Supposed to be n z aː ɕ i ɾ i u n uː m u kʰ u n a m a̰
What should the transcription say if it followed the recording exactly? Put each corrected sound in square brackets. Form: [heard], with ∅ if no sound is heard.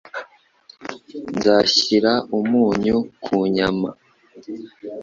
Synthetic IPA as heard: n z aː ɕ i ɾ [a] u [m] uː [ɲ] u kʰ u [ɲ] a m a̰